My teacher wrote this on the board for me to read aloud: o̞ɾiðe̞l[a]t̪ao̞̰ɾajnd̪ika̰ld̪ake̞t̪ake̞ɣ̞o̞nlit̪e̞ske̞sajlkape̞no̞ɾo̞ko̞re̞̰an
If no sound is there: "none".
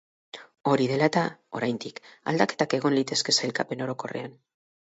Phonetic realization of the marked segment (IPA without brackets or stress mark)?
a